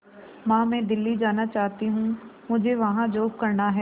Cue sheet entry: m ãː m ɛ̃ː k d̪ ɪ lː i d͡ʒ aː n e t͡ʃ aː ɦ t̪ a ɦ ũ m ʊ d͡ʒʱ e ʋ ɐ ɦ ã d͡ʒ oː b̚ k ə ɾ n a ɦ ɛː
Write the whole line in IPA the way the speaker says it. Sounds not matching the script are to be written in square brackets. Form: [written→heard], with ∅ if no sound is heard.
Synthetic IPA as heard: m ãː m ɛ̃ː [k→∅] d̪ ɪ lː i d͡ʒ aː n [e→a] t͡ʃ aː ɦ t̪ [a→i] ɦ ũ m ʊ d͡ʒʱ e ʋ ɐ ɦ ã d͡ʒ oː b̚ k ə ɾ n a ɦ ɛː